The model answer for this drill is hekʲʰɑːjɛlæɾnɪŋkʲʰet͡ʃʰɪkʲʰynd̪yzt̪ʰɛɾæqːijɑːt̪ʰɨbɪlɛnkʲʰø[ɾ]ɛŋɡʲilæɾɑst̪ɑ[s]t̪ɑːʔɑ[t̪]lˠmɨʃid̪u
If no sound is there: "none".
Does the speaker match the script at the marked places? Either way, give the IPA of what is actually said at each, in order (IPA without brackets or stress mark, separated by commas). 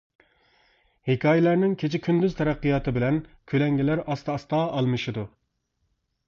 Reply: l, s, none